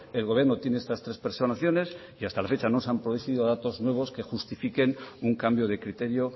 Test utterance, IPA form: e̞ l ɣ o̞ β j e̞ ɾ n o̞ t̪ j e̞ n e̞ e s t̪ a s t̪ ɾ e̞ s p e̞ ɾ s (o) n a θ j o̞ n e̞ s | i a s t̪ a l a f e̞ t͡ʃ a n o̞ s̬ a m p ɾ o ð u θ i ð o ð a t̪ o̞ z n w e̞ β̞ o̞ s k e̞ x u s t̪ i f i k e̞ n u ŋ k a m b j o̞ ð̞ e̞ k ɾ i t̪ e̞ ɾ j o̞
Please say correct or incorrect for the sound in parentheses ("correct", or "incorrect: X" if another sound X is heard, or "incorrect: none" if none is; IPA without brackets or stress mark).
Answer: correct